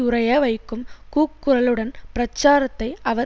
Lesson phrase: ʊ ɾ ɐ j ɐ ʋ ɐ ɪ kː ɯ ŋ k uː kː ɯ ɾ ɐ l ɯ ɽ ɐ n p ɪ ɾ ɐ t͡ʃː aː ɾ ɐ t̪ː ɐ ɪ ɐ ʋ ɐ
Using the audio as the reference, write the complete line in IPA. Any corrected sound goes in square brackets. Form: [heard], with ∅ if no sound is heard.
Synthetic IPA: ʊ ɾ ɐ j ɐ ʋ ɐ ɪ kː ɯ [m] k uː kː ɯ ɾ ɐ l ɯ ɽ ɐ n p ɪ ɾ ɐ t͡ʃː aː ɾ ɐ t̪ː ɐ ɪ ɐ ʋ ɐ

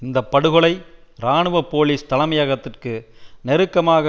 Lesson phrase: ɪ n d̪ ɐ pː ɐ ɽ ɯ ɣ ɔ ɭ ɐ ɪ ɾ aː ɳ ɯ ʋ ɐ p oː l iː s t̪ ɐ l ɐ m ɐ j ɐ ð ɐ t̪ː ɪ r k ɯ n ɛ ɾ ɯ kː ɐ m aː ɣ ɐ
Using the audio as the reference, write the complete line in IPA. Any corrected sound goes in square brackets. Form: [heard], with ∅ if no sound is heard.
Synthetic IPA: ɪ n d̪ ɐ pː ɐ ɽ ɯ ɣ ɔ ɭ ɐ ɪ ɾ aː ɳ ɯ ʋ ɐ p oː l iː s t̪ ɐ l ɐ m ɐ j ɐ [ɣ] ɐ t̪ː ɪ r k ɯ n ɛ ɾ ɯ kː ɐ m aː ɣ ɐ

